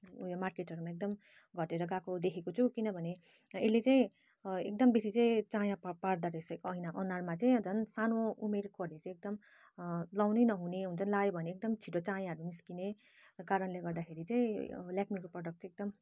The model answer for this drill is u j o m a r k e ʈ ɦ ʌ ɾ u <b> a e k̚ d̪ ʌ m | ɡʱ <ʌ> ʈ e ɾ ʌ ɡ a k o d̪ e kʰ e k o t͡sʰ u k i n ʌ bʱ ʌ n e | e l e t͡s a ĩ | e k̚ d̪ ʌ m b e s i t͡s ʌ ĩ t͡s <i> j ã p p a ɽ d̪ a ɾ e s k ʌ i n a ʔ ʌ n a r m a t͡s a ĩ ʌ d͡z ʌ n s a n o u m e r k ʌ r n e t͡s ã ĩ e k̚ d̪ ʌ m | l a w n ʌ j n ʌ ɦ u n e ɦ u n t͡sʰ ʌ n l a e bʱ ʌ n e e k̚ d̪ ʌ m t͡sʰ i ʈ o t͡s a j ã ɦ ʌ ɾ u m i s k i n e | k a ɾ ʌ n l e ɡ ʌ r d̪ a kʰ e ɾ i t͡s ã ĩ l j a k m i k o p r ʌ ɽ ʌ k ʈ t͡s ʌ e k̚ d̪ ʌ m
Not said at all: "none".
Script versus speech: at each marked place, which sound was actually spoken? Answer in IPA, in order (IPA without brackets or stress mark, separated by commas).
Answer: m, ʌ, a